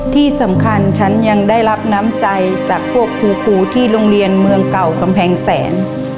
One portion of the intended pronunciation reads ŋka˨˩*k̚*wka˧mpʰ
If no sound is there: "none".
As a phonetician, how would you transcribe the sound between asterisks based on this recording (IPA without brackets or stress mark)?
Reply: none